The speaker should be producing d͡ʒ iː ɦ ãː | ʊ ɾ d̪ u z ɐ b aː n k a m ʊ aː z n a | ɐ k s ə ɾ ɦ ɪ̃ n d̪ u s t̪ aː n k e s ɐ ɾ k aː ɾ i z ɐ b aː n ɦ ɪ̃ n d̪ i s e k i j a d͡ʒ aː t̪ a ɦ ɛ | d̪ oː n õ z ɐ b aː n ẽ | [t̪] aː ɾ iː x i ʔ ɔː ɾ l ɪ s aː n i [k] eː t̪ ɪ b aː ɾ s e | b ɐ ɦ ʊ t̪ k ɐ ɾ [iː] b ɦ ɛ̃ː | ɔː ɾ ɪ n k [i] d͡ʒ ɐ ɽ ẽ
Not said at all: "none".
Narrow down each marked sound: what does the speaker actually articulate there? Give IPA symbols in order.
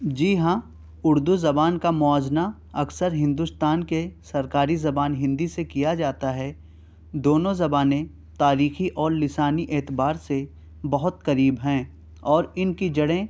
t̪, ʔ, iː, i

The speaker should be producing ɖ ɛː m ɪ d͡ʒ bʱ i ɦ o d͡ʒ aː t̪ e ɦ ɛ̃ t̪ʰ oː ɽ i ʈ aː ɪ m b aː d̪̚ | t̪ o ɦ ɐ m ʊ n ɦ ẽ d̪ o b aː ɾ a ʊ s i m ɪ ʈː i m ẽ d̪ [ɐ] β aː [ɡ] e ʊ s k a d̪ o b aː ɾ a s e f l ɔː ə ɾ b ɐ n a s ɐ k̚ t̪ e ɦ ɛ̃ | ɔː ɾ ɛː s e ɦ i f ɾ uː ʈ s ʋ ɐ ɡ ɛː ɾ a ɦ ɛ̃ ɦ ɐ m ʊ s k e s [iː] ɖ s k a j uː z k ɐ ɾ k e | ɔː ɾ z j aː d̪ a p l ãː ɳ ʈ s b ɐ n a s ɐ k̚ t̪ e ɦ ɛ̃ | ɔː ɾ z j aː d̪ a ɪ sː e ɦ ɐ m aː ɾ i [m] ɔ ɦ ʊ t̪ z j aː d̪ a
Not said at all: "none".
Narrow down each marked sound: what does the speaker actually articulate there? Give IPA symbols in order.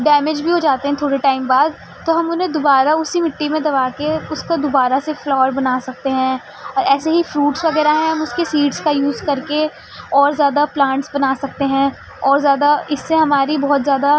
ɐ, k, iː, b

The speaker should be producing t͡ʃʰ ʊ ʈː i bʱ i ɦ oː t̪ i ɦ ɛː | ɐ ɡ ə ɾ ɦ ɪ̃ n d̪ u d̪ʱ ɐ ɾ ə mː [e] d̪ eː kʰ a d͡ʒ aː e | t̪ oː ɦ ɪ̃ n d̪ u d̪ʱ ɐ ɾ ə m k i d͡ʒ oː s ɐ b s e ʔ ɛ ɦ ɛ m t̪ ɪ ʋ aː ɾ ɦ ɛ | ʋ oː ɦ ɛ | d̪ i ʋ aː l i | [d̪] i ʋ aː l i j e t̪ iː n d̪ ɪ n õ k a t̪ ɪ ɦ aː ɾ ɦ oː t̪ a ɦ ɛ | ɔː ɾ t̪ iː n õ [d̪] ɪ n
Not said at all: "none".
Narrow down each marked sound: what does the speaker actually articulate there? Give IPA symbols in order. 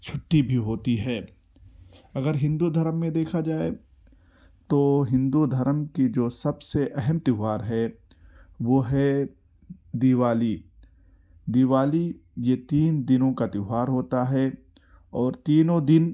ẽ, d̪, d̪

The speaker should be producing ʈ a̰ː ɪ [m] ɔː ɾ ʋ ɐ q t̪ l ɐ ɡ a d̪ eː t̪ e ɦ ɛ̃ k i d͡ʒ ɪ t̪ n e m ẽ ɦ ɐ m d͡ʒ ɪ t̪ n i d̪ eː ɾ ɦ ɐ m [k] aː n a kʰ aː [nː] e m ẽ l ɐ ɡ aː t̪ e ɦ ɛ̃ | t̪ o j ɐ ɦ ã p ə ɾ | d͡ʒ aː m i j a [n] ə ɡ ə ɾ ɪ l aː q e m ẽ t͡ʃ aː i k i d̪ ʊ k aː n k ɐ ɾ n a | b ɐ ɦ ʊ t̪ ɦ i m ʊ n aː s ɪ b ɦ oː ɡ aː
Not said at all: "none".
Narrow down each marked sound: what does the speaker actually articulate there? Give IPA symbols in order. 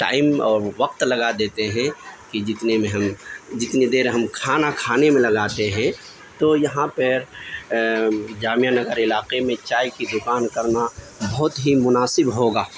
m, kʰ, n, n

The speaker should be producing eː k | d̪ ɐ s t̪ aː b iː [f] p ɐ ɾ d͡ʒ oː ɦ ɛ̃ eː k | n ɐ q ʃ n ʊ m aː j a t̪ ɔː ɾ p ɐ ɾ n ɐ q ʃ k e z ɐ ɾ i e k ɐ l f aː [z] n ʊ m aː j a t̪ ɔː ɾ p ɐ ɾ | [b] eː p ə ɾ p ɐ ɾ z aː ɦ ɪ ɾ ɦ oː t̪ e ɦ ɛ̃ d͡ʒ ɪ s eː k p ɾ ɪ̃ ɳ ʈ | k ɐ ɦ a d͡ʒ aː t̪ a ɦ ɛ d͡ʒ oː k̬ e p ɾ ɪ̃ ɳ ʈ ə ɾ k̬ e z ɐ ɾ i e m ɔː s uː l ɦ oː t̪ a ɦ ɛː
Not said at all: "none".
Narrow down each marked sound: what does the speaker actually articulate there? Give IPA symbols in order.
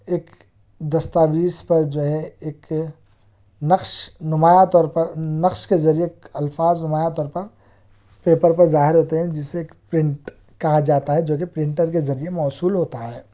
s, z, p

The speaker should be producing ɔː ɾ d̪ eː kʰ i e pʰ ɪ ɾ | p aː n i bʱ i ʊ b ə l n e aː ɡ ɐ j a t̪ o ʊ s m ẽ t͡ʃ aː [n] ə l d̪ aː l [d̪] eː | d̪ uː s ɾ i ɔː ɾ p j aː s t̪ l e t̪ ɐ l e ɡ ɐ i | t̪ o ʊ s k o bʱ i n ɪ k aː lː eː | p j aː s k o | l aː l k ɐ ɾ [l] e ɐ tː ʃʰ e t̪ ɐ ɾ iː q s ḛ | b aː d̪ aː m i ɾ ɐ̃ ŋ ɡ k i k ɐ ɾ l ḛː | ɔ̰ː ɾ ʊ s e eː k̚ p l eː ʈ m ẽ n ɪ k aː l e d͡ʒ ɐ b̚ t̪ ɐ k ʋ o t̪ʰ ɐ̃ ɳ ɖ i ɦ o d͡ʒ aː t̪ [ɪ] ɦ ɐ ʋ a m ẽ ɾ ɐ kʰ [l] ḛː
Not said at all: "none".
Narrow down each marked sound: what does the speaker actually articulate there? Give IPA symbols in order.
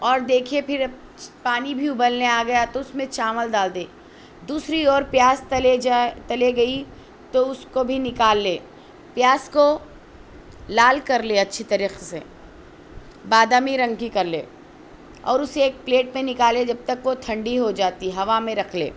m, d̪, l, i, l

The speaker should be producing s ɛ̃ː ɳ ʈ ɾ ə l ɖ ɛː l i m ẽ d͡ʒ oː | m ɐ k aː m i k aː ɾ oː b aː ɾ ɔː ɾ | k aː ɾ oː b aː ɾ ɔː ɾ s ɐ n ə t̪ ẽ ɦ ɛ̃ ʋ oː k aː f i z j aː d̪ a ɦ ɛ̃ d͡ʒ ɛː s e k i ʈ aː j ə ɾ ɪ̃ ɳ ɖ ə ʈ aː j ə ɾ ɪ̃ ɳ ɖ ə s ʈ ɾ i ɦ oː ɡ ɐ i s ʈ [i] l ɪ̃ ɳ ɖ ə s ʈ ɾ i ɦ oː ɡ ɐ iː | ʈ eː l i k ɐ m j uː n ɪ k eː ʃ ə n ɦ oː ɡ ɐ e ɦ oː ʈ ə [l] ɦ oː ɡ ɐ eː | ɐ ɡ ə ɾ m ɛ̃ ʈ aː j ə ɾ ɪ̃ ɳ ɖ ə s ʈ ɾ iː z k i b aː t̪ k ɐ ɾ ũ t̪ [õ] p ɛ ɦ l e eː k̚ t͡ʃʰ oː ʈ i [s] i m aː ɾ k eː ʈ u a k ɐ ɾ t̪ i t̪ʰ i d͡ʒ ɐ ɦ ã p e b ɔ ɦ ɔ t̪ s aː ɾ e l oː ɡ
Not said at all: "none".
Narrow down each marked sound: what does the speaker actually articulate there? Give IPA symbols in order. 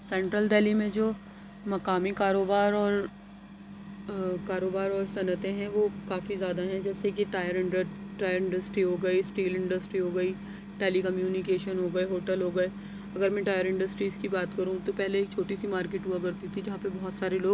iː, l, o, s

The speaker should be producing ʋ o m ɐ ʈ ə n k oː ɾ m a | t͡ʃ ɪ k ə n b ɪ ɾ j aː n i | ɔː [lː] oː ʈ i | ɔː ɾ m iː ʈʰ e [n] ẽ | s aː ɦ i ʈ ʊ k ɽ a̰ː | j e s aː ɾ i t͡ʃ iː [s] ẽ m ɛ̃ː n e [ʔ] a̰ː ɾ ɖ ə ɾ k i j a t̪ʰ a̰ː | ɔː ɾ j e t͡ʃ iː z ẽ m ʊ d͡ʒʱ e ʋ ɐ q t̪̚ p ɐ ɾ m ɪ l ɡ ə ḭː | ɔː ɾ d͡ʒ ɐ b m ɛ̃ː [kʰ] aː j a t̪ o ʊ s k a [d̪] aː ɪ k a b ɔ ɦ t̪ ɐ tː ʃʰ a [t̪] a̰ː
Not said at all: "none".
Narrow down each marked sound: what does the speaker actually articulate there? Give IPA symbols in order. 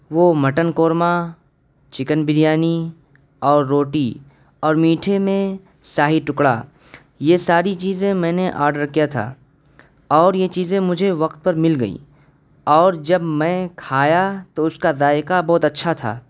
ɾː, m, z, ʔ, kʰ, d̪, t̪ʰ

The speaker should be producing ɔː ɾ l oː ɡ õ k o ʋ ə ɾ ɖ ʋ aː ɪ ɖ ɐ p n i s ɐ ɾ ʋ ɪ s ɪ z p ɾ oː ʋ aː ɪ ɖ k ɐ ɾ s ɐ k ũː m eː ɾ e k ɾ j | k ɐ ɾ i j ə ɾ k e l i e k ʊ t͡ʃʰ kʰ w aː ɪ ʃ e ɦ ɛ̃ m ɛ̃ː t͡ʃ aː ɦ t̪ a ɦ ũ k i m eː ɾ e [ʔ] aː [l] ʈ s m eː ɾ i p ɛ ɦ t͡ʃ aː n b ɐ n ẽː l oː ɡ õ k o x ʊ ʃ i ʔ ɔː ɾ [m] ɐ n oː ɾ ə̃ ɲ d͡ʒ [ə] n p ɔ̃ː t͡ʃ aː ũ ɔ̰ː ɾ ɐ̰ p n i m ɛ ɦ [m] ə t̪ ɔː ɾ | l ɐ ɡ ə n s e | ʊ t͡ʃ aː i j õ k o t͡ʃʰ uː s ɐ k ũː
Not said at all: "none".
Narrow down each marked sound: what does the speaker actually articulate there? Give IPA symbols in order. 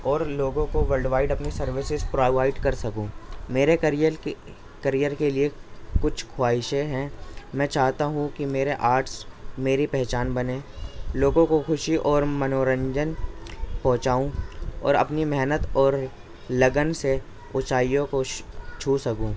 ʔ, ɾ, m, ə, n

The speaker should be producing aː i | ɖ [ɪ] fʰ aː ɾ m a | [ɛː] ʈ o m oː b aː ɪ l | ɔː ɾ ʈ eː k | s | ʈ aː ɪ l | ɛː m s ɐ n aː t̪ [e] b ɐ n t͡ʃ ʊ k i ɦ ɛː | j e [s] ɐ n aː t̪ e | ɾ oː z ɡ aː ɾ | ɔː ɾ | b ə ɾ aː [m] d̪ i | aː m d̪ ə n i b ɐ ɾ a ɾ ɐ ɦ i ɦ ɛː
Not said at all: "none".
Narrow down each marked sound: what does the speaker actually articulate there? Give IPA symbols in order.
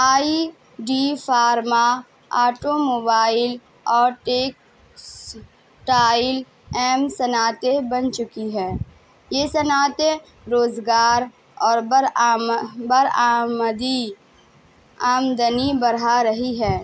i, aː, e, s, m

